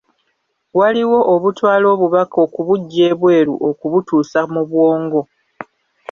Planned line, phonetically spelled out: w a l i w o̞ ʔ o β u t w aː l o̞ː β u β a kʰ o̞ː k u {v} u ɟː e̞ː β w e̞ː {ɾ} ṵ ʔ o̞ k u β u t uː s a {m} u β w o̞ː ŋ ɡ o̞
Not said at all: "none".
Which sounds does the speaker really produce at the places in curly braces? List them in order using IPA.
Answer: β, ɾ, m

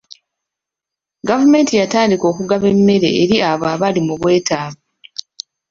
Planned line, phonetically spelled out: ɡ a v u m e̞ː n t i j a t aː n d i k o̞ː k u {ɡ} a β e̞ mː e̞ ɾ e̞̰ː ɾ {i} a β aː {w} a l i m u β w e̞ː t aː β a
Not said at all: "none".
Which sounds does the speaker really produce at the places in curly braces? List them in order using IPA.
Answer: ɡ, i, β

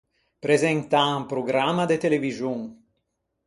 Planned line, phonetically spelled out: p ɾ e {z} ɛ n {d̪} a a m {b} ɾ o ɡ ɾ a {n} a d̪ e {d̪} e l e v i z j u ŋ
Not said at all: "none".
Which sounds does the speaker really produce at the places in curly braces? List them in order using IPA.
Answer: z, t̪, p, m, t̪

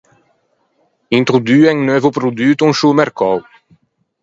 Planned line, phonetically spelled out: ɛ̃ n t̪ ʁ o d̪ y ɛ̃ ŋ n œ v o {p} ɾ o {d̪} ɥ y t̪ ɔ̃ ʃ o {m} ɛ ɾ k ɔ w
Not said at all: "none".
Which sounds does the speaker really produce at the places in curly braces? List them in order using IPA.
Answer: p, d̪, m

